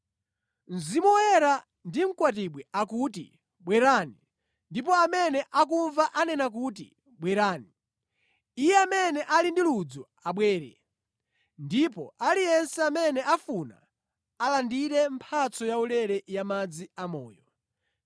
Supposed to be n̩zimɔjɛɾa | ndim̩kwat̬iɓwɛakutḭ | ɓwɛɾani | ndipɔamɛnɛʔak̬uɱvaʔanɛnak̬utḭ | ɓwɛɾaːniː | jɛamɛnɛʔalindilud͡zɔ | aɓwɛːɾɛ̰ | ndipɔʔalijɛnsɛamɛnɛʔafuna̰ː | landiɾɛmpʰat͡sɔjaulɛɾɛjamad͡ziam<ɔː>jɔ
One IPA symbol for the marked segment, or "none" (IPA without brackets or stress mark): ɔː